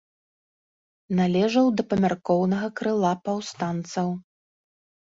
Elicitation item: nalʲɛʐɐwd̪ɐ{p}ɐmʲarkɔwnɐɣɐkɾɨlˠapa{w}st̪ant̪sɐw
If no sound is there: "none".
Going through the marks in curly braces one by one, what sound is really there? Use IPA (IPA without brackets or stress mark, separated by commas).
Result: p, w